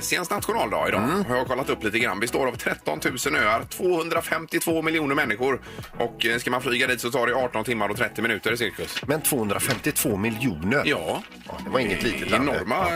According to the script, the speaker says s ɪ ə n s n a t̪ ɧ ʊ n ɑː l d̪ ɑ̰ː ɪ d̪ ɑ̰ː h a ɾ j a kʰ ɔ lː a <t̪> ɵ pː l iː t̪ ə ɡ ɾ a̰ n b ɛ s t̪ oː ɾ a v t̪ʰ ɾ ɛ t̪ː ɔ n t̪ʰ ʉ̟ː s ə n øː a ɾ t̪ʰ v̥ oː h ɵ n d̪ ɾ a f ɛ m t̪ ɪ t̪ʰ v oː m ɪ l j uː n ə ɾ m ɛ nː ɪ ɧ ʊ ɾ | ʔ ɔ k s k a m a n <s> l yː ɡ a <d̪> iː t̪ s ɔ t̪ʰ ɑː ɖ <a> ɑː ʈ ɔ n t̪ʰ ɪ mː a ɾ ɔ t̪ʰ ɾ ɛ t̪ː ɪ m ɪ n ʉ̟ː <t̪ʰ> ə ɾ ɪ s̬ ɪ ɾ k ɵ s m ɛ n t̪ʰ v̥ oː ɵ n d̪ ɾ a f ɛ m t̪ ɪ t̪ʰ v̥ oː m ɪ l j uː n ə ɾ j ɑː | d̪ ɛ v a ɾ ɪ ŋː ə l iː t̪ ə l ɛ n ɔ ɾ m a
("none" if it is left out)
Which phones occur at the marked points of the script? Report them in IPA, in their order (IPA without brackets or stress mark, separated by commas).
t̪, f, d̪, ɛ, t̪